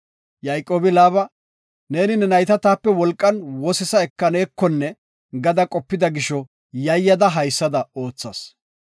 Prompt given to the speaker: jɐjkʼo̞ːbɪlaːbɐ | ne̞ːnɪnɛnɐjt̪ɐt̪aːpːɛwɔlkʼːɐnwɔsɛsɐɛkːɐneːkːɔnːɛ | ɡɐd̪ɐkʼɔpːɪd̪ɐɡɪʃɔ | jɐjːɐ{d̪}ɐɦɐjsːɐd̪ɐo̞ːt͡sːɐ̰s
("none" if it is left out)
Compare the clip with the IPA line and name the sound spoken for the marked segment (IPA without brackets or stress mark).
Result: d̪